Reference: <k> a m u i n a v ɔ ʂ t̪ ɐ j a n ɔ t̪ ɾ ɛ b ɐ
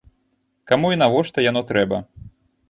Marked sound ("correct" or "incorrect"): correct